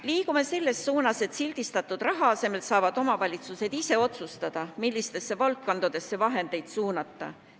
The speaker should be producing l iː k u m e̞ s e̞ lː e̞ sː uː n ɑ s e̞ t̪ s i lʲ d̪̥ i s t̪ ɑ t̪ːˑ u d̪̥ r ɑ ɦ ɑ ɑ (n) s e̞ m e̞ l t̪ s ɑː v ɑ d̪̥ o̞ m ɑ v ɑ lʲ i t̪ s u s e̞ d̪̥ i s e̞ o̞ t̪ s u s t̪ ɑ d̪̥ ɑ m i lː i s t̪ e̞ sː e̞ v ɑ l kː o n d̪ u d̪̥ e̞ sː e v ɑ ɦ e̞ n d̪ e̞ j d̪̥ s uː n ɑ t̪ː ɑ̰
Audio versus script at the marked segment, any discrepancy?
yes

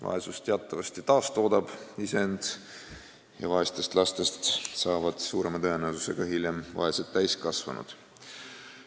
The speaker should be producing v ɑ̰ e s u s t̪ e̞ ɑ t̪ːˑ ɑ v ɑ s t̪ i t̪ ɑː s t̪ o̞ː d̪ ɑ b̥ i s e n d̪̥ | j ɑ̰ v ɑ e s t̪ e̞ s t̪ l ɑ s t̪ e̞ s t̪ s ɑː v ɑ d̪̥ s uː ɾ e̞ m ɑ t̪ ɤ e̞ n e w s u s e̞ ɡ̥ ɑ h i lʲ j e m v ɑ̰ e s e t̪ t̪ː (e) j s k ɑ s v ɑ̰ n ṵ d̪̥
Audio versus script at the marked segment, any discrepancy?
yes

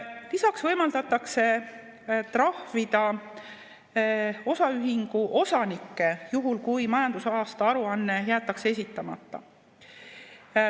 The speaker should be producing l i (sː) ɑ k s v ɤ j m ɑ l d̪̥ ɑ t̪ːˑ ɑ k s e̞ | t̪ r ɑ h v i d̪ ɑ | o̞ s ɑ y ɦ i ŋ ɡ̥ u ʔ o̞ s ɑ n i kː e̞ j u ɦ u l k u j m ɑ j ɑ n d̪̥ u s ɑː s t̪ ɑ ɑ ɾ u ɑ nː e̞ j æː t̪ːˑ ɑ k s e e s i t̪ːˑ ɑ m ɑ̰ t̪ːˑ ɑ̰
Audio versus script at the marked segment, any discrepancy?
yes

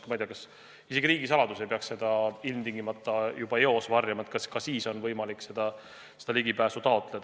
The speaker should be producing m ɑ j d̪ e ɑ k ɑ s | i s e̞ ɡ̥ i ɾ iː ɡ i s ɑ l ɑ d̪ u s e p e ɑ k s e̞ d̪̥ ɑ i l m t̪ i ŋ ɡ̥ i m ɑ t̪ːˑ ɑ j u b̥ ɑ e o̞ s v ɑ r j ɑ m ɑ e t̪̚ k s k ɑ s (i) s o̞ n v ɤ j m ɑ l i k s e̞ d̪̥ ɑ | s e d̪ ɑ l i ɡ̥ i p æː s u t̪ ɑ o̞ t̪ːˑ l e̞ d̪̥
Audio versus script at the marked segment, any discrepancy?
yes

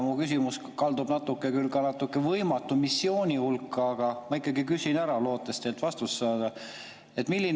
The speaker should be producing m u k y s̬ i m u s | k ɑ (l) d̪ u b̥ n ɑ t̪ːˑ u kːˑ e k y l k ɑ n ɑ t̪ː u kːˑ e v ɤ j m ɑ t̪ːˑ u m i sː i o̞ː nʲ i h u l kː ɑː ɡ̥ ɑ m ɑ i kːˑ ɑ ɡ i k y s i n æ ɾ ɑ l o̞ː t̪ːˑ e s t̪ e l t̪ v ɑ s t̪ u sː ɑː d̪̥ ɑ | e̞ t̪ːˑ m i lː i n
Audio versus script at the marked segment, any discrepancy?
no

